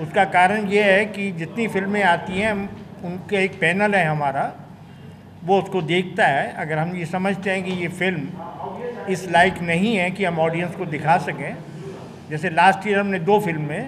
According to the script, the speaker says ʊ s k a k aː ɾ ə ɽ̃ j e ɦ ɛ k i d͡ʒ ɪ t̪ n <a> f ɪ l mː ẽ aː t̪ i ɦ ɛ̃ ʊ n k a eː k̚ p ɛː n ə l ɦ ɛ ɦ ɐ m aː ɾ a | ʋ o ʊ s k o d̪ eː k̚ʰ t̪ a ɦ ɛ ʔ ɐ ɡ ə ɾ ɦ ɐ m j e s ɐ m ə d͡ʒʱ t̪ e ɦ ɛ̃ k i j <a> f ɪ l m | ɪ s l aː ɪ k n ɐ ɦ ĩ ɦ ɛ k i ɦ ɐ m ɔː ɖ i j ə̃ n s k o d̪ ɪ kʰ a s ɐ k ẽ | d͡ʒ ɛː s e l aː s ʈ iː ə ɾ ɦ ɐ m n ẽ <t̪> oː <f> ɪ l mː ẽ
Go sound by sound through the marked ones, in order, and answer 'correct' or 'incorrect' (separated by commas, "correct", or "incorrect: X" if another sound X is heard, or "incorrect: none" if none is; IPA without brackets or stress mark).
incorrect: i, incorrect: e, incorrect: d̪, correct